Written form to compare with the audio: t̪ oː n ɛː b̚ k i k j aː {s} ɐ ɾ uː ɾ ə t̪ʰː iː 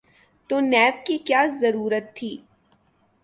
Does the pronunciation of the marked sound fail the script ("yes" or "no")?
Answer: yes